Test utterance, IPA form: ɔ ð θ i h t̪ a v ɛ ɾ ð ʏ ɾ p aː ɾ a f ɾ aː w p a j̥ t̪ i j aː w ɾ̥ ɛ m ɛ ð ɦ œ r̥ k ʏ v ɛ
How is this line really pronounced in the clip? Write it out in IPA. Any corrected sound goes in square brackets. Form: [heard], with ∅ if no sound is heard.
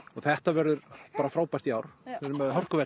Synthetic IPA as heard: ɔ [ɣ] θ [ɛ] h t̪ a v ɛ ɾ ð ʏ ɾ p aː ɾ a f ɾ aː w p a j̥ t̪ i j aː w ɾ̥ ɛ m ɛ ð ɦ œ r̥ k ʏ v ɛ